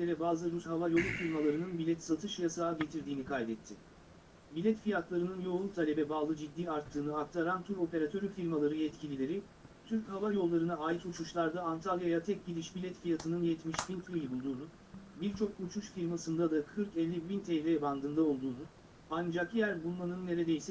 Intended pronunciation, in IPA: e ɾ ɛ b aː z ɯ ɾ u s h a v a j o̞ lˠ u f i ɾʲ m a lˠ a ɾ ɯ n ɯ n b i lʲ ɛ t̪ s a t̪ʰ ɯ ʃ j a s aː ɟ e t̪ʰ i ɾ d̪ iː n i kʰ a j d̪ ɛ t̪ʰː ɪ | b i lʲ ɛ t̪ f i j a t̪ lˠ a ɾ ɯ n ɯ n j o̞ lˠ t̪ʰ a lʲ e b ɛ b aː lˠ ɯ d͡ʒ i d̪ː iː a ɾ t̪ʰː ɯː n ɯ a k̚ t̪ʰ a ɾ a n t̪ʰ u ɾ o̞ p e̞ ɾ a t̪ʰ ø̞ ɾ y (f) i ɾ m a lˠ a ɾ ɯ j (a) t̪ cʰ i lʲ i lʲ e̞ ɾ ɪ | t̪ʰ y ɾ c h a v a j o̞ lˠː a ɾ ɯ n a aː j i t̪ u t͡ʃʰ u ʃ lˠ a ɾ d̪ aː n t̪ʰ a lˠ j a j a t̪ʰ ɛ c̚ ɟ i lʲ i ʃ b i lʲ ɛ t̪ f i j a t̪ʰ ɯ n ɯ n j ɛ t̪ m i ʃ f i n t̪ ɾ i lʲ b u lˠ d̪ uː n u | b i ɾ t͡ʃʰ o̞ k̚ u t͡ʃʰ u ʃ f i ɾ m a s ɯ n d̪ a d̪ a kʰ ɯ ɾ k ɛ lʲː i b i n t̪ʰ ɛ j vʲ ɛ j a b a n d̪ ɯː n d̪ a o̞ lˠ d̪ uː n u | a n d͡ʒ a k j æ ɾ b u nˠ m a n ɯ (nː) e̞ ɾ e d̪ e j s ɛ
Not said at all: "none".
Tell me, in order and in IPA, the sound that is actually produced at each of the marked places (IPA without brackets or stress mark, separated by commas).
f, ɛ, nː